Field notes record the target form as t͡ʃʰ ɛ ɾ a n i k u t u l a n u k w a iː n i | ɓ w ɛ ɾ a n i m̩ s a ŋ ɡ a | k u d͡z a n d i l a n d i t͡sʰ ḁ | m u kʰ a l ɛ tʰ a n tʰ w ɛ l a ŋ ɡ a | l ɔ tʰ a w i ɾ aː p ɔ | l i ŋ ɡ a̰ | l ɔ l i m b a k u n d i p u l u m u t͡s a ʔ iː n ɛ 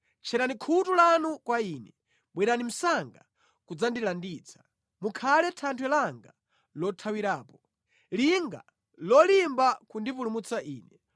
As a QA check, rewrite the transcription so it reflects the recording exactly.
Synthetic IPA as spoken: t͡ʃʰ ɛ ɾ a n i kʰ u t u l a n u k w a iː n ɛ | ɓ w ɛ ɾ a n i m̩ s a ŋ ɡ a | k u d͡z a n d i l a n d i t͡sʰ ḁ | m u kʰ a l ɛ tʰ a n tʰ w ɛ l a ŋ ɡ a | l ɔ tʰ a w i ɾ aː p ɔ | l i ŋ ɡ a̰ | l ɔ l i m b a k u n d i p u l u m u t͡s a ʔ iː n ɛ